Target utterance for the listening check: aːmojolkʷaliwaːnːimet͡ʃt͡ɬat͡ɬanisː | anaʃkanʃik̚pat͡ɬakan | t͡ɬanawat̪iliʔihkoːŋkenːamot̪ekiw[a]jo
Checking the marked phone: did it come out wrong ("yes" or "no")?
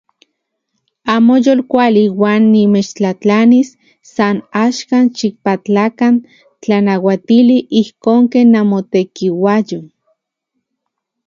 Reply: no